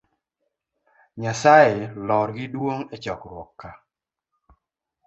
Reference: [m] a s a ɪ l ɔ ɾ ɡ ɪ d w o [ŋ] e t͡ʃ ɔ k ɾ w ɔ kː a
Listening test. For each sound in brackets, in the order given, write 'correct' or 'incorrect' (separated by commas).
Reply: incorrect, correct